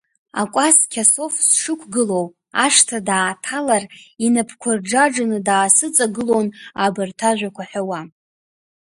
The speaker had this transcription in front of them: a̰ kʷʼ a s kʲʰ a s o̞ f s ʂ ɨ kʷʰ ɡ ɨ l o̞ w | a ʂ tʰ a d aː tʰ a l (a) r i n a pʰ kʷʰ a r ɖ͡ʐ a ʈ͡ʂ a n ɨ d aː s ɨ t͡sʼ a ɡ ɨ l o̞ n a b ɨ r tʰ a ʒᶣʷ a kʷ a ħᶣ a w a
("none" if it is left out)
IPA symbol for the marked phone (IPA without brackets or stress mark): a